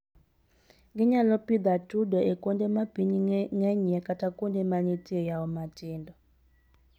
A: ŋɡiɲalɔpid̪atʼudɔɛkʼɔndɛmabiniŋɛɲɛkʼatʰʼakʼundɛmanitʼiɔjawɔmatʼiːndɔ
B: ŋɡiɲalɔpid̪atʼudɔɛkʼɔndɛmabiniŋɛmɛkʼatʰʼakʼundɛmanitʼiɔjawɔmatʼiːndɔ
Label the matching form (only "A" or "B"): A